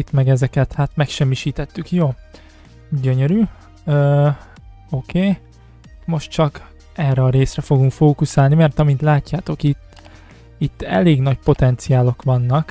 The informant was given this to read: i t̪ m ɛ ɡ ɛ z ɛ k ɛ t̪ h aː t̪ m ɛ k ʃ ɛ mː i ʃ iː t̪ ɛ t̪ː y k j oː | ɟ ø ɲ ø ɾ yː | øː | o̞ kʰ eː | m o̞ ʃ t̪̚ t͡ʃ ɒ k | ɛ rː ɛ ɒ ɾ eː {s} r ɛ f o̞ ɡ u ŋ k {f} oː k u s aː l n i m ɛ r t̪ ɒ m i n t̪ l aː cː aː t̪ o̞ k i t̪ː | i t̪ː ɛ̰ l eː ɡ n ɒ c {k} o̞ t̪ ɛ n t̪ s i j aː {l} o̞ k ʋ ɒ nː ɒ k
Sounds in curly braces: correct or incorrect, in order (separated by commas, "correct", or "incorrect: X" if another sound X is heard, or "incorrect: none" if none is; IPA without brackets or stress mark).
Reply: correct, correct, incorrect: p, correct